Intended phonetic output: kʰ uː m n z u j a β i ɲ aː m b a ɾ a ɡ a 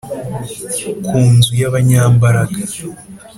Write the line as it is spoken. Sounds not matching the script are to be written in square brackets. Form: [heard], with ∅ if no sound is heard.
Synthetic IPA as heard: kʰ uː [∅] n z u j a β [a] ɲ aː m b a ɾ a ɡ a